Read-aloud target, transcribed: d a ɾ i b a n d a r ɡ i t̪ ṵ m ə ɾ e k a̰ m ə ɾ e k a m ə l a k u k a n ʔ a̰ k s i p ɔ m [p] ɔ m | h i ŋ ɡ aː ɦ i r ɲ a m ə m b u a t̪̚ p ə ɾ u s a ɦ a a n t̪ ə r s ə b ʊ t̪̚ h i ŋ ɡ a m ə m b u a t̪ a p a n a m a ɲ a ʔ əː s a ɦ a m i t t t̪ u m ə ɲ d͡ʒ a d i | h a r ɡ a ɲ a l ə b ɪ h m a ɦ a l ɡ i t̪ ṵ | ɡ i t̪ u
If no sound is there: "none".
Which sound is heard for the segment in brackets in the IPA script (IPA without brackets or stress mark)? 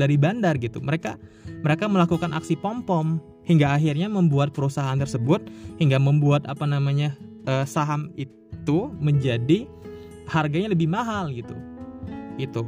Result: p